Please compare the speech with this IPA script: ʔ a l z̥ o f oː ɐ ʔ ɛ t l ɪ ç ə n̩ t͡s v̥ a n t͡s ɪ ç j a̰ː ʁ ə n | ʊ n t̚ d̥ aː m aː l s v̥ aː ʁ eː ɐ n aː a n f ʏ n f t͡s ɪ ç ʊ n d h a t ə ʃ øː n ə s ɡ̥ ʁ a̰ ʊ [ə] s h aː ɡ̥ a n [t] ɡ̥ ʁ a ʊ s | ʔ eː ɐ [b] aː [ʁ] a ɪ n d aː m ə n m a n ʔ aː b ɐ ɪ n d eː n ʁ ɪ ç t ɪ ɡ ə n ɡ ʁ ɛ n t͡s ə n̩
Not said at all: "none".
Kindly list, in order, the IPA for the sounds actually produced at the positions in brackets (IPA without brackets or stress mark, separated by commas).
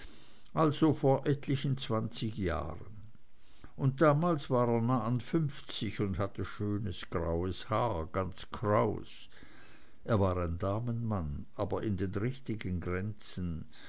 ə, t͡s, v, ʁ